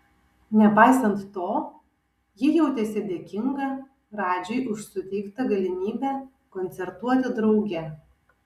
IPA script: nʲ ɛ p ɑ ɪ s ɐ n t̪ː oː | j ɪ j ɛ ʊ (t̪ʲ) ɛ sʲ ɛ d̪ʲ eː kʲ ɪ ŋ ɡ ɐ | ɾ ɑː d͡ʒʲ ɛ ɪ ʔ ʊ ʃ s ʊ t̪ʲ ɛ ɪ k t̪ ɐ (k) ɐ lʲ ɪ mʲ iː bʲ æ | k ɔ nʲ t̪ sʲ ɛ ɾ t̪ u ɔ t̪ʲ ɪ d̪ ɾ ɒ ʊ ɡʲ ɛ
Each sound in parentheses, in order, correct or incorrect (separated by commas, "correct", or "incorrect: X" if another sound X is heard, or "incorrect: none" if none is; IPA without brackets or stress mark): correct, incorrect: ɡ